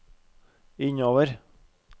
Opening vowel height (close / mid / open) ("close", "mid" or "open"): close